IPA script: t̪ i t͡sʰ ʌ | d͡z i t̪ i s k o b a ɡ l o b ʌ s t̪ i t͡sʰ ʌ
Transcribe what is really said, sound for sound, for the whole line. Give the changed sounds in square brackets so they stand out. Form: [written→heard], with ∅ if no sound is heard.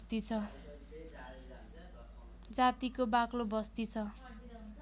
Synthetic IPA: t̪ i t͡sʰ ʌ | d͡z [i→a] t̪ i [s→∅] k o b a [ɡ→k] l o b ʌ s t̪ i t͡sʰ ʌ

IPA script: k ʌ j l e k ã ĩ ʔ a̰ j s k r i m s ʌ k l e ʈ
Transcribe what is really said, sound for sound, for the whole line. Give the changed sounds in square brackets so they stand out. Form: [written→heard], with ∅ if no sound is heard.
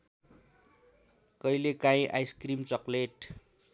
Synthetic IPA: k ʌ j l e k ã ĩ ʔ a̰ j s k r i m [s→t͡s] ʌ k l e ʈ

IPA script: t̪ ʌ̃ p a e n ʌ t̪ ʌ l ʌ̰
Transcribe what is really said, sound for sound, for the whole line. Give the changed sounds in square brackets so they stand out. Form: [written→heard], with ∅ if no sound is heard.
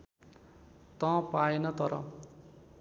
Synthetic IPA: t̪ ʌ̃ p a e n ʌ t̪ ʌ [l→ɾ] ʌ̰

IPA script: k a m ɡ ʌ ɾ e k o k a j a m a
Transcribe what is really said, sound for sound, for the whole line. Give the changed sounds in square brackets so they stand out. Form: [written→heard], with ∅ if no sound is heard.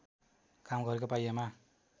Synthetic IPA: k a m ɡ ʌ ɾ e k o [k→p] a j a m a

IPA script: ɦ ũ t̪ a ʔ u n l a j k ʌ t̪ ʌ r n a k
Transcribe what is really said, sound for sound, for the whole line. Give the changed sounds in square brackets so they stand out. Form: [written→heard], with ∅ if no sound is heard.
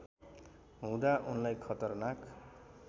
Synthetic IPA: ɦ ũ [t̪→d̪] a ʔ u n l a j [k→kʰ] ʌ t̪ ʌ r n a k

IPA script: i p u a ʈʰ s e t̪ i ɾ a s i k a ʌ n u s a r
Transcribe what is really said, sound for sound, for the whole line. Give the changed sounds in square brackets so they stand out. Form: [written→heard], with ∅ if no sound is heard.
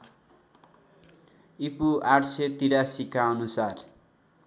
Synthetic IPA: i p u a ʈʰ s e t̪ i ɾ a s i k a ʌ n u s a r

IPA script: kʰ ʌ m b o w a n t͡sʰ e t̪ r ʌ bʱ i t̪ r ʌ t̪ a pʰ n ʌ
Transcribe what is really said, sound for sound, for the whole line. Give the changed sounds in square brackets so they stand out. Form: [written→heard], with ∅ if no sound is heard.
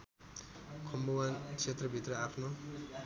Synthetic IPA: kʰ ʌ m b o w a n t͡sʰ e t̪ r ʌ bʱ i t̪ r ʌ [t̪→∅] a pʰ n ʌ

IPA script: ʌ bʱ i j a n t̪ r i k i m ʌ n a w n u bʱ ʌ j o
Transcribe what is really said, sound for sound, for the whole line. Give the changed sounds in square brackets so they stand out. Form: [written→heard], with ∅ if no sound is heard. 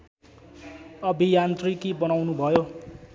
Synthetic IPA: ʌ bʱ i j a n t̪ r i k i [m→b] ʌ n a w n u bʱ ʌ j o

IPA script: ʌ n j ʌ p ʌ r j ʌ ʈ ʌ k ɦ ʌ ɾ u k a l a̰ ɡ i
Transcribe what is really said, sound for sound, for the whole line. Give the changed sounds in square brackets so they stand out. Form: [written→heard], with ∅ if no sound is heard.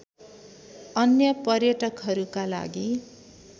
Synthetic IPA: ʌ n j ʌ p ʌ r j ʌ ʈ ʌ k ɦ ʌ ɾ u k a l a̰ ɡ i

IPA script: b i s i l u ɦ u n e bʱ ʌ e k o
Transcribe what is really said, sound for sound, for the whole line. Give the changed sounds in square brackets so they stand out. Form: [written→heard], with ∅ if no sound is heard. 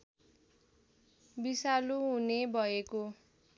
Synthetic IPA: b i s [i→a] l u ɦ u n e bʱ ʌ e k o

